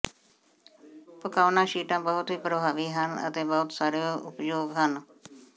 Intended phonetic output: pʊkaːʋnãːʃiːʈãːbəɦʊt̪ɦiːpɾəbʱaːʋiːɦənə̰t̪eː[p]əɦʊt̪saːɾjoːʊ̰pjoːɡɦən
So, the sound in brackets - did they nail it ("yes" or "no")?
no